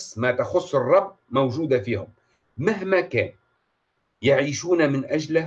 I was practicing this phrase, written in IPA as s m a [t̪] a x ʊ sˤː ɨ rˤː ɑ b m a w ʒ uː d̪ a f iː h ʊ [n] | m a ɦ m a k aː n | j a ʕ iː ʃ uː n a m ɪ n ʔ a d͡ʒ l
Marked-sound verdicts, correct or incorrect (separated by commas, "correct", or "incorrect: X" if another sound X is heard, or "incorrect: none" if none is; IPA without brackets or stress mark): correct, incorrect: m